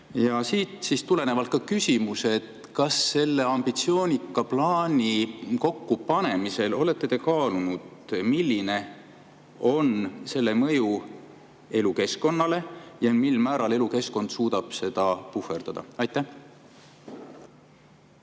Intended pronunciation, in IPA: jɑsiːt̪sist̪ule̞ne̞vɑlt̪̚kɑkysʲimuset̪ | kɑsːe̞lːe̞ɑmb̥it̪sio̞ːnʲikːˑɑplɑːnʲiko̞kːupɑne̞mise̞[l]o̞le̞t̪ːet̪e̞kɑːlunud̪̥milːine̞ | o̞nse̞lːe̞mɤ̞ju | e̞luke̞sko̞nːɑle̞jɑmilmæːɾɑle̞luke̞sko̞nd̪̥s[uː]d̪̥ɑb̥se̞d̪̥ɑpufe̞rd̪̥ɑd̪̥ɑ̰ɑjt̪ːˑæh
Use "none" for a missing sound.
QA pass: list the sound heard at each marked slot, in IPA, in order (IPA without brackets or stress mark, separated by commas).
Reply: l, uː